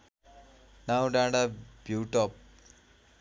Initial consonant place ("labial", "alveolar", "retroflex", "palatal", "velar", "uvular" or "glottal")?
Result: alveolar